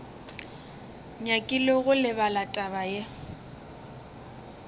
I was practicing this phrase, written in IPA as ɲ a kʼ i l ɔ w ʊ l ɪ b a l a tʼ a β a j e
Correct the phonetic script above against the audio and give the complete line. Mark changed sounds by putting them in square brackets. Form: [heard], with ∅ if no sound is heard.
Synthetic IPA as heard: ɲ a kʼ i l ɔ [ɣ] ʊ l ɪ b a l a tʼ a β a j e